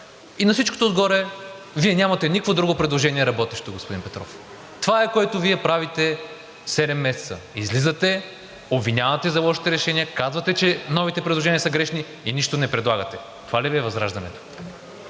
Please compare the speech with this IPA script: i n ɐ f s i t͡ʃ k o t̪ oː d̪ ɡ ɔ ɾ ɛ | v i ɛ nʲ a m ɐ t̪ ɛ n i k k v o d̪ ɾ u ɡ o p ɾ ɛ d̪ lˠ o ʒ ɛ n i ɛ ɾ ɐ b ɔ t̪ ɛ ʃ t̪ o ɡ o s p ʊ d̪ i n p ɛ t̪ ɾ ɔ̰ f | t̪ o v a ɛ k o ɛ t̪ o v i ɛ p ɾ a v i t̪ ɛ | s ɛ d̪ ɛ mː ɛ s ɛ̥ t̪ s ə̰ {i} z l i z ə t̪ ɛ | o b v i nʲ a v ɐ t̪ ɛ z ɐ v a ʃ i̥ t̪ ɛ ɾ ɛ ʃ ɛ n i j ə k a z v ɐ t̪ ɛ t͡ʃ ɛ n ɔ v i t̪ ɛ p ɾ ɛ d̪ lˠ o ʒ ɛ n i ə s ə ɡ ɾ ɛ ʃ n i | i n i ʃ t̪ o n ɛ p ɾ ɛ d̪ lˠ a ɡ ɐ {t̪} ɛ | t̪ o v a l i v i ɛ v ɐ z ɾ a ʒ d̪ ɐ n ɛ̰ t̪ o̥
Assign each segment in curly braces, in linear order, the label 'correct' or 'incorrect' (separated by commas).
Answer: correct, correct